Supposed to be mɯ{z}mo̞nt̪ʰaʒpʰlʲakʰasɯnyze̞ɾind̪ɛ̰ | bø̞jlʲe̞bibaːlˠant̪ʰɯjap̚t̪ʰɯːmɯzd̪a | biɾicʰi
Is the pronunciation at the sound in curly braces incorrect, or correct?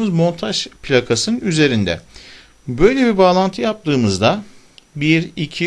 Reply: correct